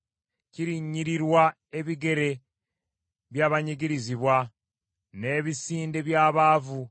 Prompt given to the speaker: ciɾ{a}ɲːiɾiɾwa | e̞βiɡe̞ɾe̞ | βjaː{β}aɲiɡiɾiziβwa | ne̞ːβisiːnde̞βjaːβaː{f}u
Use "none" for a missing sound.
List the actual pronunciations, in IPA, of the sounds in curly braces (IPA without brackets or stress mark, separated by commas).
i, β, v